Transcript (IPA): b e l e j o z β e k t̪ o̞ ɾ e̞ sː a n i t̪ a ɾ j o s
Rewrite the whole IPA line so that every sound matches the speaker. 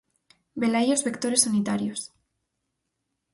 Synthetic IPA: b e l a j o z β e k t̪ o̞ ɾ e̞ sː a n i t̪ a ɾ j o s